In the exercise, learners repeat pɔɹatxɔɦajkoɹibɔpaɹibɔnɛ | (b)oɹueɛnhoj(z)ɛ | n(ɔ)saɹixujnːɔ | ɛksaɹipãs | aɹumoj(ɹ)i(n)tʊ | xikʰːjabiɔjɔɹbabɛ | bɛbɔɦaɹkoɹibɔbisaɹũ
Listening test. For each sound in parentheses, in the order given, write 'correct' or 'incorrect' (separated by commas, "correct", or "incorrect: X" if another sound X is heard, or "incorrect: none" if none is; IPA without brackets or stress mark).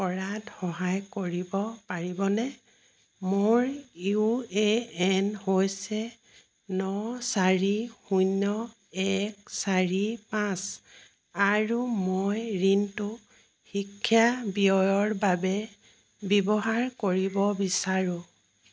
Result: incorrect: m, incorrect: s, correct, correct, correct